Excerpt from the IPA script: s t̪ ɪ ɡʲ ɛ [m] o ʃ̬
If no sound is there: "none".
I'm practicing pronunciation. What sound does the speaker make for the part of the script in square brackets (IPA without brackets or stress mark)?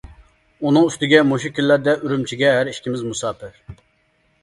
m